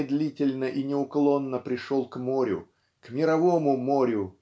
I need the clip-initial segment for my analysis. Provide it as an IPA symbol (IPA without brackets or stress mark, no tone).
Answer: d̪